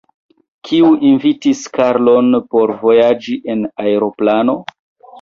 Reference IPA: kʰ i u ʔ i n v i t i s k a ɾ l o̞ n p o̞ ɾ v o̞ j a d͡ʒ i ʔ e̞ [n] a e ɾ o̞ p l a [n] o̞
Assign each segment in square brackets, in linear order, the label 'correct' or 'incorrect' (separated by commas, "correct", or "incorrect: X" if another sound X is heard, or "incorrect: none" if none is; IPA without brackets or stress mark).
correct, correct